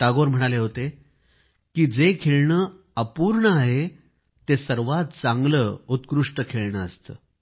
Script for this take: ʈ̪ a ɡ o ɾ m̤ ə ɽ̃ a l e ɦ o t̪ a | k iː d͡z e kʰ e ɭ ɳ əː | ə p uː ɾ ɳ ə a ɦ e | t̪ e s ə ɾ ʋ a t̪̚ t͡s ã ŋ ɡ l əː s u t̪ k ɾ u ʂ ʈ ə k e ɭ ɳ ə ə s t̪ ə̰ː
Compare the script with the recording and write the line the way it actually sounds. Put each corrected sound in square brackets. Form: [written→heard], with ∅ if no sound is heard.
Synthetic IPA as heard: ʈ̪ a ɡ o ɾ m̤ ə ɽ̃ a l e ɦ o t̪ [a→e] | k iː d͡z e kʰ e ɭ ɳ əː | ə p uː ɾ ɳ ə a ɦ e | t̪ e s ə ɾ ʋ a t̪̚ t͡s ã ŋ ɡ l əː [s→∅] u t̪ k ɾ u ʂ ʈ ə [k→kʰ] e ɭ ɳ ə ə s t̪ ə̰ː